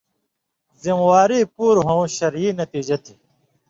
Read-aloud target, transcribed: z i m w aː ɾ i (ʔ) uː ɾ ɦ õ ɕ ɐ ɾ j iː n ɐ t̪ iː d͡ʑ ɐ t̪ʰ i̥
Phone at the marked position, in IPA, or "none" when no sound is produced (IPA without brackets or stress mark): p